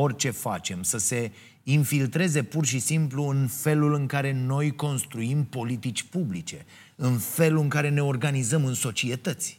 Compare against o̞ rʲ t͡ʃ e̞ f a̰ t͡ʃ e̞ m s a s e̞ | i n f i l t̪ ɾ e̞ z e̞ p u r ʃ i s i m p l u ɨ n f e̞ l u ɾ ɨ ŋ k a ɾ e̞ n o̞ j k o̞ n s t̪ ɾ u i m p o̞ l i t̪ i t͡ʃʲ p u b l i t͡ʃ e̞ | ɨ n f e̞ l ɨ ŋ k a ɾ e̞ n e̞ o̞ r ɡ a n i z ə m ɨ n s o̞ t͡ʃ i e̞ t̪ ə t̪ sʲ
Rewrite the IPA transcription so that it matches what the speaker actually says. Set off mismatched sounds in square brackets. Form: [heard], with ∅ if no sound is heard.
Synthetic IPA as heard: o̞ rʲ t͡ʃ e̞ f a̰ t͡ʃ e̞ m s [ə] s e̞ | i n f i l t̪ ɾ e̞ z e̞ p u r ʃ i s i m p l u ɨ n f e̞ l u [l] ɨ ŋ k a ɾ e̞ n o̞ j k o̞ n s t̪ ɾ u i m p o̞ l i t̪ i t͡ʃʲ p u b l i t͡ʃ e̞ | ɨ n f e̞ l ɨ ŋ k a ɾ e̞ n e̞ o̞ r ɡ a n i z ə m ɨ n s o̞ t͡ʃ i e̞ t̪ ə t̪ sʲ